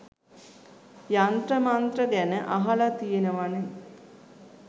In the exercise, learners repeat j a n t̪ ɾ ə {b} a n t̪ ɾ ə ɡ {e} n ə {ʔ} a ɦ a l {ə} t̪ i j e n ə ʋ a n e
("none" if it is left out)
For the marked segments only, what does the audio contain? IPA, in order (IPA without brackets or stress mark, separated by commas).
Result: m, æ, ʔ, a